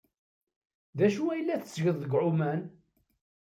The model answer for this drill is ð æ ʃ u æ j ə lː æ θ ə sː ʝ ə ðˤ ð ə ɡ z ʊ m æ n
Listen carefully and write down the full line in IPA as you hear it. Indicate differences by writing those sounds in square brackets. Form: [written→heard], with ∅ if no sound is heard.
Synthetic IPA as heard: ð æ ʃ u æ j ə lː æ θ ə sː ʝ ə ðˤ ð ə ɡ [z→ʕ] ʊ m æ n